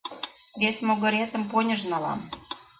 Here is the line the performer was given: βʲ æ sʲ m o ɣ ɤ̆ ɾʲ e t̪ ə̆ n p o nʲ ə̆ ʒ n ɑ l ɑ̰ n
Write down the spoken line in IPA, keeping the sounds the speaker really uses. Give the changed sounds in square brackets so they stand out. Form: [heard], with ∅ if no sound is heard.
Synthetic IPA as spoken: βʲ [e] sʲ m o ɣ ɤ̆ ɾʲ e t̪ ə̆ [m] p o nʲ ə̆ ʒ n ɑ l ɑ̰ [m]